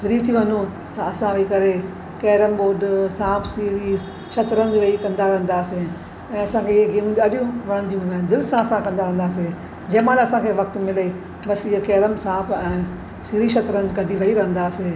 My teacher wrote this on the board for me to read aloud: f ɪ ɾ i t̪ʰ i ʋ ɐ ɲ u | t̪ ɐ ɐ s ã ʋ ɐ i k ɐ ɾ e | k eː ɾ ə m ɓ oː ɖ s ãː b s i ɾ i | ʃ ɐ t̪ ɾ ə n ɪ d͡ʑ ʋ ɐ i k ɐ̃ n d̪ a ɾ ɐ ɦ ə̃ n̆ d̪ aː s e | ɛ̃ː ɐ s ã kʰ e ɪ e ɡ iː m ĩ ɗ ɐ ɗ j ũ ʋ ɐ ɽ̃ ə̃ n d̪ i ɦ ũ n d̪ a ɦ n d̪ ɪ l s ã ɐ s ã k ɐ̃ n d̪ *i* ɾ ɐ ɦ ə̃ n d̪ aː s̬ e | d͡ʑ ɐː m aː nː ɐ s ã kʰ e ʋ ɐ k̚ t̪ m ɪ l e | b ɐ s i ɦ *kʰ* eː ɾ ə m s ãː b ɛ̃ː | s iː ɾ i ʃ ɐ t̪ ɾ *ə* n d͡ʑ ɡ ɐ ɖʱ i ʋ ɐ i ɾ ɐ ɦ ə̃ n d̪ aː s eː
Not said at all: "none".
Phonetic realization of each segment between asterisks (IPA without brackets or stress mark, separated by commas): a, k, ə